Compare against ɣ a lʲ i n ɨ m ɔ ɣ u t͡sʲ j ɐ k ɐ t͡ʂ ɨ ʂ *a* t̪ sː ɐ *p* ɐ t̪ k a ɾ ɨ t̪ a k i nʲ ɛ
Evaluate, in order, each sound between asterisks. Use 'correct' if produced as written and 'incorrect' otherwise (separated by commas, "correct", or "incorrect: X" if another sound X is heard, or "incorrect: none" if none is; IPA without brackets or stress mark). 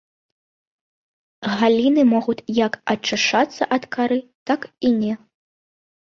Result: correct, incorrect: ʔ